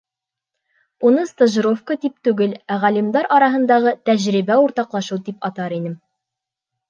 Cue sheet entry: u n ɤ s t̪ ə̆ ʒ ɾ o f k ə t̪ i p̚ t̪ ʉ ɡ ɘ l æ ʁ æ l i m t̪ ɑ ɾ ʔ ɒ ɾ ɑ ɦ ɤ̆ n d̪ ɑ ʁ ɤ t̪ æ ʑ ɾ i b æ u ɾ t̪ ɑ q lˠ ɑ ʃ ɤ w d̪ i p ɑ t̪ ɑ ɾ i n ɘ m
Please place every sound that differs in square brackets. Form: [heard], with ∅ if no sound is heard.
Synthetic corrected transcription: u n ɤ s t̪ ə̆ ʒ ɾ o f k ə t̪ i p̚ t̪ ʉ ɡ ɘ l æ ʁ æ l i m [d̪] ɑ ɾ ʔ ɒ ɾ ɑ ɦ ɤ̆ n d̪ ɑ ʁ ɤ t̪ æ ʑ ɾ i b æ u ɾ t̪ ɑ q lˠ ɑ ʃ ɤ w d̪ i p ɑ t̪ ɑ ɾ i n ɘ m